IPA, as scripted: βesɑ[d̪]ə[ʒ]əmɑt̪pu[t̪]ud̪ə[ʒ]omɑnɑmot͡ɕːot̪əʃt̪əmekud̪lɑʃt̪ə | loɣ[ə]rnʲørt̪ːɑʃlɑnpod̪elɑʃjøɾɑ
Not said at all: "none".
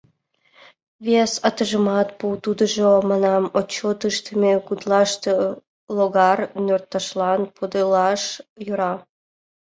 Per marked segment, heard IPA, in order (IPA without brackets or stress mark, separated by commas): t̪, ʒ, t̪, ʒ, ɑ